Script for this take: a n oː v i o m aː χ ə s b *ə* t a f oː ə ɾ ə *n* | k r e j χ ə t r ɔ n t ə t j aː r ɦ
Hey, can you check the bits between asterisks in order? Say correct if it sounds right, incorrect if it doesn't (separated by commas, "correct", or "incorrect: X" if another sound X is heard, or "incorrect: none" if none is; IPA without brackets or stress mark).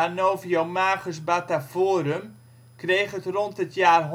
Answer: incorrect: a, incorrect: m